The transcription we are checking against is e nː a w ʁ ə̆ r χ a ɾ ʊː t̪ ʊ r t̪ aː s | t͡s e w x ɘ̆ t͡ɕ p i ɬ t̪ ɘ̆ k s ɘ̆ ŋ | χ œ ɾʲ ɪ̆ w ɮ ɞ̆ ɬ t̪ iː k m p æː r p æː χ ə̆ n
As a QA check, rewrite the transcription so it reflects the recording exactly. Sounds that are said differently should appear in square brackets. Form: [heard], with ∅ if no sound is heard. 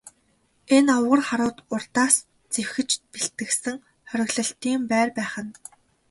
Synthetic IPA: e [n] a w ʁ ə̆ r χ a ɾ ʊː t̪ ʊ r t̪ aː s | t͡s e w x ɘ̆ t͡ɕ p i ɬ t̪ ɘ̆ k s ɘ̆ ŋ | χ œ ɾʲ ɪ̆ [ɣ] ɮ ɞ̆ ɬ t̪ iː [∅] m p æː r p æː χ ə̆ n

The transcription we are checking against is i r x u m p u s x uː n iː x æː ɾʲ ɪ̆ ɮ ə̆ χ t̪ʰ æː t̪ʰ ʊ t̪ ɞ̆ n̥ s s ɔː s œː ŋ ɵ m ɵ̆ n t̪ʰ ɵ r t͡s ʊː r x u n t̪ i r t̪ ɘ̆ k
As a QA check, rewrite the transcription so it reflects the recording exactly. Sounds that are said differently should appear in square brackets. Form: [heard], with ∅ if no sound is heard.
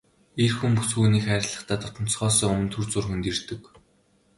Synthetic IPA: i r x u m p u s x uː n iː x æː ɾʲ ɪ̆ ɮ ə̆ χ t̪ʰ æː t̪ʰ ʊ t̪ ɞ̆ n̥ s [χ] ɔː s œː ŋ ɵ m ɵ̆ n t̪ʰ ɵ r t͡s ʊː r x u n t̪ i r t̪ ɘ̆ k

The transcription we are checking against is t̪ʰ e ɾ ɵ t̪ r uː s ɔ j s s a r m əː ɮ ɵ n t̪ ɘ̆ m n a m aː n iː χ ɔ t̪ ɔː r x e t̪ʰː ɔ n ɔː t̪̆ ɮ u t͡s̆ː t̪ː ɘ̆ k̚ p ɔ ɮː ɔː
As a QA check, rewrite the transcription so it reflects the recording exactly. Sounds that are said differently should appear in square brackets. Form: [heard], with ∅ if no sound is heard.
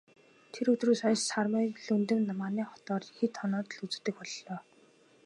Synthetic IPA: t̪ʰ e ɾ ɵ t̪ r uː s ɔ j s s a r m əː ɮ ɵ n t̪ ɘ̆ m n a m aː n iː χ ɔ t̪ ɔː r x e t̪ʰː ɔ n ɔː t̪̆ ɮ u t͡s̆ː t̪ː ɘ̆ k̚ p ɔ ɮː ɔː

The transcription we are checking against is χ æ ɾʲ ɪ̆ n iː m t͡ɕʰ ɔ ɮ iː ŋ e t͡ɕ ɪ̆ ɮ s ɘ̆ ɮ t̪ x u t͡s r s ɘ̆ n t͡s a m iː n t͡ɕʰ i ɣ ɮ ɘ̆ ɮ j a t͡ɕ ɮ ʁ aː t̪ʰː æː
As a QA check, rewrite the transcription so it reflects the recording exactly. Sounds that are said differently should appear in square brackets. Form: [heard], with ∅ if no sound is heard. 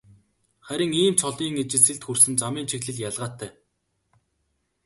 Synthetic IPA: χ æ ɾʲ ɪ̆ [ŋ] iː m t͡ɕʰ ɔ ɮ iː ŋ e t͡ɕ ɪ̆ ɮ s ɘ̆ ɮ t̪ x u [∅] r s ɘ̆ n t͡s a m iː n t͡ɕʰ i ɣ ɮ ɘ̆ ɮ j a [∅] ɮ ʁ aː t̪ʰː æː

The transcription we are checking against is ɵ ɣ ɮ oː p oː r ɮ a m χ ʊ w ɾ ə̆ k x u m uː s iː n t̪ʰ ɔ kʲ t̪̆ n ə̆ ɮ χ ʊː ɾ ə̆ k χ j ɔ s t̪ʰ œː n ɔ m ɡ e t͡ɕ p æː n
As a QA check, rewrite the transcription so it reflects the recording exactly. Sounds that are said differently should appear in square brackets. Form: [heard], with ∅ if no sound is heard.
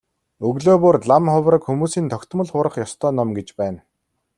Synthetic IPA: ɵ ɣ ɮ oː p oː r ɮ a m χ ʊ w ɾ ə̆ k x u m uː s iː n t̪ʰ ɔ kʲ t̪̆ [m] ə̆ ɮ χ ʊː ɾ ə̆ [∅] χ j ɔ s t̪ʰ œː n ɔ m ɡ e t͡ɕ p æː n

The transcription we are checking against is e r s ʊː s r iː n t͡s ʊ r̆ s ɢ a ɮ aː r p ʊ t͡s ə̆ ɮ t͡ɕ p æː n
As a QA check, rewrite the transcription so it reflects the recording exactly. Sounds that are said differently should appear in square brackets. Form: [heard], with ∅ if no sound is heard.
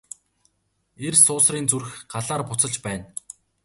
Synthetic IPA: e r s ʊː s r iː n t͡s [u] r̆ [x] ɢ a ɮ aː r p ʊ t͡s ə̆ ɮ t͡ɕ p æː n

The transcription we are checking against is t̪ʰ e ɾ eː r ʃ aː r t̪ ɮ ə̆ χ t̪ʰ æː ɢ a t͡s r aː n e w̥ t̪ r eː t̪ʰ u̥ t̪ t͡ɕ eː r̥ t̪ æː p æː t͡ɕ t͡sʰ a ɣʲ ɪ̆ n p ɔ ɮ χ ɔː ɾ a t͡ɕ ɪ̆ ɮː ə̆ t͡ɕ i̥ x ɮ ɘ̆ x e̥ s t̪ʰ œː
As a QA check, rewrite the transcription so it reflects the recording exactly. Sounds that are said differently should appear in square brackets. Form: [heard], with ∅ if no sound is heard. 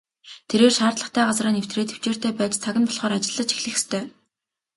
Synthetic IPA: t̪ʰ e ɾ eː r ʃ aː r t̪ ɮ ə̆ χ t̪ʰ æː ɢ a t͡s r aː n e w̥ t̪ r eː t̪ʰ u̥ [∅] t͡ɕ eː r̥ t̪ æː p æː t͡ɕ t͡sʰ a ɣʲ ɪ̆ n p ɔ ɮ χ ɔː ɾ a t͡ɕ ɪ̆ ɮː ə̆ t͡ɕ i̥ x ɮ ɘ̆ x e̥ s t̪ʰ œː

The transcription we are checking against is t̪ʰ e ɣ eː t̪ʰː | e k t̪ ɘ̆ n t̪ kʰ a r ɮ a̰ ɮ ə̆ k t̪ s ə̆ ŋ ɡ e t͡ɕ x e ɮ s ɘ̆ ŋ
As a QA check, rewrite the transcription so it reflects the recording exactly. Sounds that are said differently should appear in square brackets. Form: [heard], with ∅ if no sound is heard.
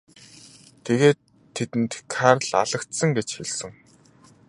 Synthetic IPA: t̪ʰ e ɣ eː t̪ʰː | e [∅] t̪ ɘ̆ n t̪ kʰ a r ɮ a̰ ɮ ə̆ k t̪ s ə̆ ŋ ɡ e t͡ɕ x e ɮ s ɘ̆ ŋ

